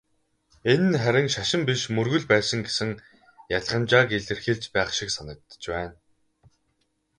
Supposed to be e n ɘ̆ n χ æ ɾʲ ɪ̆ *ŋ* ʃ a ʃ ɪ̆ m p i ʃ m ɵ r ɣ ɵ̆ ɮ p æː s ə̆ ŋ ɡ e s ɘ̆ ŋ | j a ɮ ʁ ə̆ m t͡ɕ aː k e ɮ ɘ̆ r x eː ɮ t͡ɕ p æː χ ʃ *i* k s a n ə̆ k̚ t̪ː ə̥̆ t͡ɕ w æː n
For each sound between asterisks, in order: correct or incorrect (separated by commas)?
correct, correct